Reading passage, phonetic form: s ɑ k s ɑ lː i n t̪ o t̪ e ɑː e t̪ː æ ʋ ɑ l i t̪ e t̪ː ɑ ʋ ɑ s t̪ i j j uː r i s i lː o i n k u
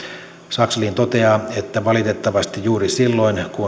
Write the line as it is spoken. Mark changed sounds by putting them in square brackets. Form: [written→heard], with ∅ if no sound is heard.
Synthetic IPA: s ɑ k s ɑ [lː→l] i n t̪ o t̪ e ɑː e t̪ː æ ʋ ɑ l i t̪ e t̪ː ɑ ʋ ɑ s t̪ i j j uː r i s i lː o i n k u